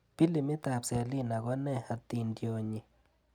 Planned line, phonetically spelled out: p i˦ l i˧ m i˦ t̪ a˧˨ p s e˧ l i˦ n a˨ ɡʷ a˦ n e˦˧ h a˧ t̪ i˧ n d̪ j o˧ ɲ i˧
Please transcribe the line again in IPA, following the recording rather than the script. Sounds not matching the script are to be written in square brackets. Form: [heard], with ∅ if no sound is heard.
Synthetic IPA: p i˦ l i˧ m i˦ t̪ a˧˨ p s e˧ l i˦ n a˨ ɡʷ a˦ n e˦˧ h a˧ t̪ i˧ n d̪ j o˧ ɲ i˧